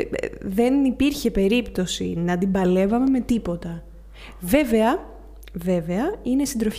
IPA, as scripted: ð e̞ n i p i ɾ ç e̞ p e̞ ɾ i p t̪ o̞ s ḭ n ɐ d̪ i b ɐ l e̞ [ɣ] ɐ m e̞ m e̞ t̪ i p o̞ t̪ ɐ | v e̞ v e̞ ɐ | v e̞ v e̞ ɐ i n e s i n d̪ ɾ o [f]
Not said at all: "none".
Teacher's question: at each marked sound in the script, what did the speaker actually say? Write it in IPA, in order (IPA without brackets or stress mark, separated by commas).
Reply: v, f